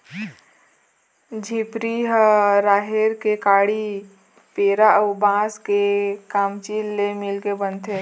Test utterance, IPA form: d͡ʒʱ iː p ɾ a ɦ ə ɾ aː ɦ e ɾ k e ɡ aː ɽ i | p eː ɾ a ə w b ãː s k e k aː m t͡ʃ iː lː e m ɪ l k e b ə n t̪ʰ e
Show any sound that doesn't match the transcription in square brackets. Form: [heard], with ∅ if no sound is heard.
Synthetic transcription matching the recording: d͡ʒʱ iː p ɾ [i] ɦ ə ɾ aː ɦ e ɾ k e [k] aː ɽ i | p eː ɾ a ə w b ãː s k e k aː m t͡ʃ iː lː e m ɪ l k e b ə n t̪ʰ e